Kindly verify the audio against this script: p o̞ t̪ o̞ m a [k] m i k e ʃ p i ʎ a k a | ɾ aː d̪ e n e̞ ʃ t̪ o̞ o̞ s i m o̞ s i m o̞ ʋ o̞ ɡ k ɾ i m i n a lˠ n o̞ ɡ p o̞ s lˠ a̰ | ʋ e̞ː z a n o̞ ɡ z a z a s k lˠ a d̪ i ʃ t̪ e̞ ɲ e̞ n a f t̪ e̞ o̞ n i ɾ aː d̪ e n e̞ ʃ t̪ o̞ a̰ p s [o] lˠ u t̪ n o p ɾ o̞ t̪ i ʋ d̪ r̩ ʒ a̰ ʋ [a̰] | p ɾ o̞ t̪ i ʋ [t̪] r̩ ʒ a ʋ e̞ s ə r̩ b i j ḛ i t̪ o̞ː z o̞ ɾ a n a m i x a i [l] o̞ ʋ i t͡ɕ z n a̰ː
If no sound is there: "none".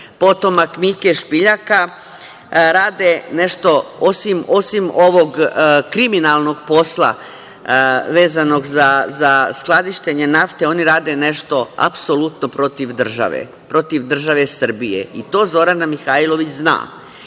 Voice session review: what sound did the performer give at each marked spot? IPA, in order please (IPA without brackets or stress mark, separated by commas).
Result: k, o, ḛ, d̪, l